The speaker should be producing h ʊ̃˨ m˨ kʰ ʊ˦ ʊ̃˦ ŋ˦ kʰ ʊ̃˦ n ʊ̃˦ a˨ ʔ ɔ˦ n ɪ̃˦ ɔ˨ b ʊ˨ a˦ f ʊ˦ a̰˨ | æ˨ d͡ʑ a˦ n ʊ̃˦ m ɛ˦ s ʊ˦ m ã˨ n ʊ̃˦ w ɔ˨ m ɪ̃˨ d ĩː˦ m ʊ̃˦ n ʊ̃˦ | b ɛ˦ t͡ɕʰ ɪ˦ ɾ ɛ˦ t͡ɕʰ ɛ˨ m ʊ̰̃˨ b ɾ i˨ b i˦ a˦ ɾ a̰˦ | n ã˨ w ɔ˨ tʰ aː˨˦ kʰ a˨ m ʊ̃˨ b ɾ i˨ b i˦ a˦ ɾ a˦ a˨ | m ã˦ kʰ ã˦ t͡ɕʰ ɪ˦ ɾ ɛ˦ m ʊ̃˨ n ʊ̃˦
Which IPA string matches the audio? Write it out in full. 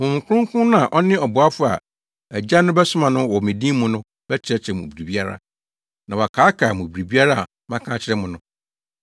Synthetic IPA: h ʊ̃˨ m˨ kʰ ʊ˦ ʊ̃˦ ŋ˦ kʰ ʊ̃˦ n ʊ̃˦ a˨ ʔ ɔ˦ n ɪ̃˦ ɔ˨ b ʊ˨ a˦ f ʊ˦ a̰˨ | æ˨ d͡ʑ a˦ n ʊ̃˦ b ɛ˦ s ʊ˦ m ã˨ n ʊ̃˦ w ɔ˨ m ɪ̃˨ d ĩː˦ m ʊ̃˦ n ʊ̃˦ | b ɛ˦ t͡ɕʰ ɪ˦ ɾ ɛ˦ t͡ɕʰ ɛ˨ m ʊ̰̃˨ b ɾ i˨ b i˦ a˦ ɾ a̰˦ | n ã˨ w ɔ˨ kʰ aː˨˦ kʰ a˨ m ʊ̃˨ b ɾ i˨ b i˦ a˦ ɾ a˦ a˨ | m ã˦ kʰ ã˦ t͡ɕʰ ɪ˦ ɾ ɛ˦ m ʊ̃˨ n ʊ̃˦